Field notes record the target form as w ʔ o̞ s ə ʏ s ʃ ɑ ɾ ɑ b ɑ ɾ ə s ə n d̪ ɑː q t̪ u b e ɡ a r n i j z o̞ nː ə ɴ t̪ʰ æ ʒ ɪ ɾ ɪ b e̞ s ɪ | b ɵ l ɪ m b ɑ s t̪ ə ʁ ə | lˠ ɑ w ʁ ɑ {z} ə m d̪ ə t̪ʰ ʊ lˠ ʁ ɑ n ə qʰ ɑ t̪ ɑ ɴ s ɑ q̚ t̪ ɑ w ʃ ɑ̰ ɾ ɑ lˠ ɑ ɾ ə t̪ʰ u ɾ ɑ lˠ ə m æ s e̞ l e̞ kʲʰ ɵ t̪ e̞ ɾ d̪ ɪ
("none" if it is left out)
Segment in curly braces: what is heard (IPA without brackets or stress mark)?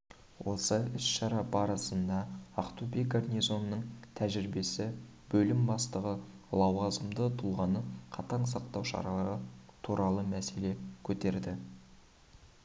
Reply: z